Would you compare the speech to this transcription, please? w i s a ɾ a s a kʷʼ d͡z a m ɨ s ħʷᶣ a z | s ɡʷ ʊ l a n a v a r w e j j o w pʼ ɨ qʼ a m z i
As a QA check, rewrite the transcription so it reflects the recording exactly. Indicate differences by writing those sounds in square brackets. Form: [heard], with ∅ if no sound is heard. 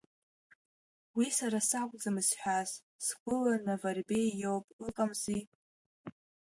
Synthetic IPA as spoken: w i s a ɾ a s a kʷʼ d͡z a m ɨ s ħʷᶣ a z | s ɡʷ ʊ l a n a v a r [b] e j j o w pʼ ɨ qʼ a m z i